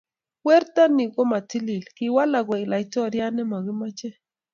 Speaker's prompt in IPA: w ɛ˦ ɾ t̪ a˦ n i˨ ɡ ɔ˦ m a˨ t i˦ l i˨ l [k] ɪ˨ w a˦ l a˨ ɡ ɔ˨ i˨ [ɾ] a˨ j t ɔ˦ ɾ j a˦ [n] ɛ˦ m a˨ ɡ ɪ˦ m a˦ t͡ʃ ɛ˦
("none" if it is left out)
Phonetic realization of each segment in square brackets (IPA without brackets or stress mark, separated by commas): k, l, n